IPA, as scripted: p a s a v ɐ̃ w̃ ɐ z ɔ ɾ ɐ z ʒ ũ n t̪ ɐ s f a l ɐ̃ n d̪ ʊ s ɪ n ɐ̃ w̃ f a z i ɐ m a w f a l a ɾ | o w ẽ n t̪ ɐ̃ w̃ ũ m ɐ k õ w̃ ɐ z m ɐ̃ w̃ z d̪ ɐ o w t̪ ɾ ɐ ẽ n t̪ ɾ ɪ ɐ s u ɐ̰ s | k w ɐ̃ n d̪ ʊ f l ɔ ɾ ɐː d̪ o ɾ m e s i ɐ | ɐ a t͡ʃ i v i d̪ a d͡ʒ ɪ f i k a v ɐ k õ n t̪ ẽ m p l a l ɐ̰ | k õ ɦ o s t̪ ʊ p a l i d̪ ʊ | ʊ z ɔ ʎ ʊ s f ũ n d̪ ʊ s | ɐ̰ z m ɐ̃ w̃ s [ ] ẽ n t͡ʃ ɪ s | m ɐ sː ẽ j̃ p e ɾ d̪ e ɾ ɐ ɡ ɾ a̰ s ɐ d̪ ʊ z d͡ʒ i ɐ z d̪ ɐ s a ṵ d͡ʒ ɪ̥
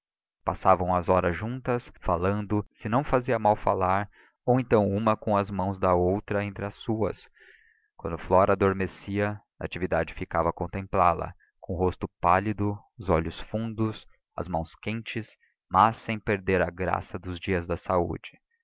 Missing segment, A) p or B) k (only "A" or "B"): B